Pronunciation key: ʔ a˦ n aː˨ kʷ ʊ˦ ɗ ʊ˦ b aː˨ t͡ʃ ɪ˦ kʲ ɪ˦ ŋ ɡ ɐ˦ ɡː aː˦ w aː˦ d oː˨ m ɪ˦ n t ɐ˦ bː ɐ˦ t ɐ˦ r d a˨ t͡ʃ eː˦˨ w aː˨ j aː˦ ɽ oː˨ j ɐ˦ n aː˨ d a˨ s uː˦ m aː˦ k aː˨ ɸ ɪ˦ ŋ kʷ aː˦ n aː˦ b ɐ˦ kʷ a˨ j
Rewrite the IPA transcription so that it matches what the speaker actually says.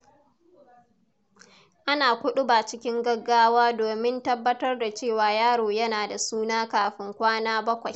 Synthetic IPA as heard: ʔ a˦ n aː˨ kʷ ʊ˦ ɗ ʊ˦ b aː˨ t͡ʃ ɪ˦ kʲ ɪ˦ ŋ ɡ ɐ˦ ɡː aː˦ w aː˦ d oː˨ m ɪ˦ n t ɐ˦ bː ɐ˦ t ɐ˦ r d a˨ t͡ʃ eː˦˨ w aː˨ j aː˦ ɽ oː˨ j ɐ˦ n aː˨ d a˨ s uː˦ n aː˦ k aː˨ ɸ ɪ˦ ŋ kʷ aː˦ n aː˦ b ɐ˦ kʷ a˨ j